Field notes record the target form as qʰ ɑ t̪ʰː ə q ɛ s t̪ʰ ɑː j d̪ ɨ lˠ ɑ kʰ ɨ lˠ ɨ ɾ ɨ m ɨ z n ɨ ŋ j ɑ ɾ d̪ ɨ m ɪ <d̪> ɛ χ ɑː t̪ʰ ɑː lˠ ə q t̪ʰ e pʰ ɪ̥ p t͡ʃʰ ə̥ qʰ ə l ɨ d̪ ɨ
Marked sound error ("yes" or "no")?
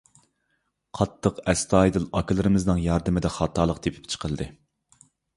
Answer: no